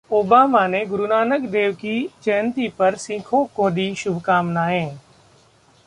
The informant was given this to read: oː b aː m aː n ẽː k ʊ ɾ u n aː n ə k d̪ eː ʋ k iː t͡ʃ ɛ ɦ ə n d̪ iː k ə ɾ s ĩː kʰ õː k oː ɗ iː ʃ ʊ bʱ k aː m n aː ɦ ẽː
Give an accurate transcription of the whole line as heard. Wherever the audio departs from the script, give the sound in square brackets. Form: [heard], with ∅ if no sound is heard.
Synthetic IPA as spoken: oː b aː m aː n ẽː [ɡ] ʊ ɾ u n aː n ə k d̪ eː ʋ k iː t͡ʃ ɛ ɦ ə n [t̪] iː [p] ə ɾ s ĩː kʰ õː k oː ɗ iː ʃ ʊ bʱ k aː m n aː ɦ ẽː